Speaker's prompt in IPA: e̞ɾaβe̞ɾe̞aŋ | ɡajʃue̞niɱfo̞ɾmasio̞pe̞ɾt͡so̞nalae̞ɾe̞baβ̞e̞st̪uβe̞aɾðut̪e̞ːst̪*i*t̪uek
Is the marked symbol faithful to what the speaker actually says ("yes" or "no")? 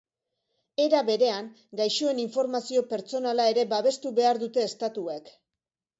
no